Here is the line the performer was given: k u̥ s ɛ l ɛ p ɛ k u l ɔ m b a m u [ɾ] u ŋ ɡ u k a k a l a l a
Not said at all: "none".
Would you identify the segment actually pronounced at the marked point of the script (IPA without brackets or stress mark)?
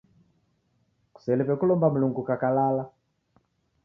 l